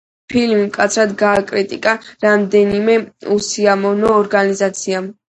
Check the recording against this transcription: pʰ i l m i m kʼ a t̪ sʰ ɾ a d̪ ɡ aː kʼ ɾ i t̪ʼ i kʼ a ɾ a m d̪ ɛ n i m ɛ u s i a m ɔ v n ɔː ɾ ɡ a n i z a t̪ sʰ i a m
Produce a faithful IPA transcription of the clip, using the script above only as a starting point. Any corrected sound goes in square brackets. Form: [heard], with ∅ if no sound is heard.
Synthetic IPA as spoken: pʰ i l m i m kʼ a t̪ sʰ ɾ a d̪ ɡ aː kʼ ɾ i t̪ʼ i kʼ a ɾ a m d̪ ɛ n i m ɛ u s i a m ɔ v n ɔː ɾ ɡ a n i z a t̪ sʰ i a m